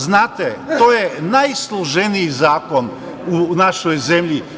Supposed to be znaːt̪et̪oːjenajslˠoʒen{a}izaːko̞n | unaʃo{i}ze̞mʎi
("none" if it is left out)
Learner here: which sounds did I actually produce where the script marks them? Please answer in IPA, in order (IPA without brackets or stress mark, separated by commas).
i, j